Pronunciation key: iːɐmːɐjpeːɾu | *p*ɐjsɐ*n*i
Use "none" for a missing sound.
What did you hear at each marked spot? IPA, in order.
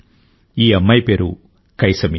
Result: k, m

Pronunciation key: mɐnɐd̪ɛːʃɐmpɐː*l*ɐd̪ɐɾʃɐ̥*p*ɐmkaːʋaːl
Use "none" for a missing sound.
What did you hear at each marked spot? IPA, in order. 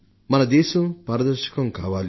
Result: ɾ, k

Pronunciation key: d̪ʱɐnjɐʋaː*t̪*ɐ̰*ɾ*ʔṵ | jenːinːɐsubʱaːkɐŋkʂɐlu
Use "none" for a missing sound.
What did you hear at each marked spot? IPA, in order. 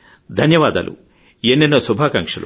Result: d̪, l

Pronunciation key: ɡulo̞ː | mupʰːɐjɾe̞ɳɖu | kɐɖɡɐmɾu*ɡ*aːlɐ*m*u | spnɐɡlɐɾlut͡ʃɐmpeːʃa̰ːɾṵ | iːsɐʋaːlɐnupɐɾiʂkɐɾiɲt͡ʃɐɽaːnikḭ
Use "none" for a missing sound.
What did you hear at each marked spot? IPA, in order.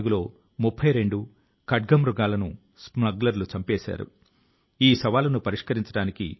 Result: ɡ, n

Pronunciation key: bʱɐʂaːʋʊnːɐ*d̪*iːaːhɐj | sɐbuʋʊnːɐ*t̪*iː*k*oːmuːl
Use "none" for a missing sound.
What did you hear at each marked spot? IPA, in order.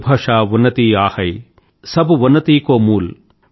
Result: t̪, t̪, k

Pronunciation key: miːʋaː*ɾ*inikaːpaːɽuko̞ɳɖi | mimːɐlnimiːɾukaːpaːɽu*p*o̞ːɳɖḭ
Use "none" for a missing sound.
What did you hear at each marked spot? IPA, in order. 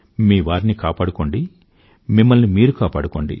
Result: ɾ, k

